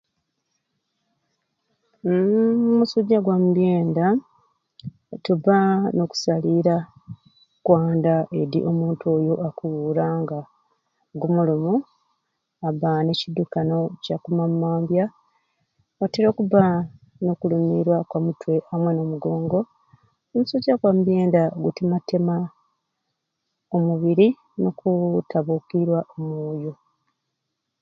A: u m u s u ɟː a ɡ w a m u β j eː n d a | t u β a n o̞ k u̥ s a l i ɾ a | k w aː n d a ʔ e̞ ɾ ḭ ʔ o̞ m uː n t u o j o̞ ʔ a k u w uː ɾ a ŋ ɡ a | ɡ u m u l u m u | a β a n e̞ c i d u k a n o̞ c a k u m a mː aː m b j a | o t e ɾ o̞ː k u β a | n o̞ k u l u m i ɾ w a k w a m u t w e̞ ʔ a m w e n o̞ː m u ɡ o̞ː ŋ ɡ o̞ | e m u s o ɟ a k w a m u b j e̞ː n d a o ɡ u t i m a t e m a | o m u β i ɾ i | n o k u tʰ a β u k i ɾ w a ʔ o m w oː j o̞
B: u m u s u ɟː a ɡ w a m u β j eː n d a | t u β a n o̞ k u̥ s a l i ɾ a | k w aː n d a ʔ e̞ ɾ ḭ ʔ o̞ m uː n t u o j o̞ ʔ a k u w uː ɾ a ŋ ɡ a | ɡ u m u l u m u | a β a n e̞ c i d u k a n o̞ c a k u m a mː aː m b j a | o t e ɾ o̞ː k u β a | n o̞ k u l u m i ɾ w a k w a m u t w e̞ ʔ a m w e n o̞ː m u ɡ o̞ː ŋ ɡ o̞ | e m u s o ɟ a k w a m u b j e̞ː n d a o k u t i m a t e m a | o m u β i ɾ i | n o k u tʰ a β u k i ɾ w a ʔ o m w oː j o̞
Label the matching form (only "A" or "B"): A